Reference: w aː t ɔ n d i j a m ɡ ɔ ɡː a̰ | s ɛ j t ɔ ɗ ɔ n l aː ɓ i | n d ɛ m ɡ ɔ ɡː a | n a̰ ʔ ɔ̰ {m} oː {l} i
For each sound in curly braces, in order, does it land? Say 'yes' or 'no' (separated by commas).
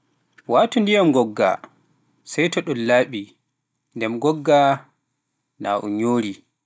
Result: no, no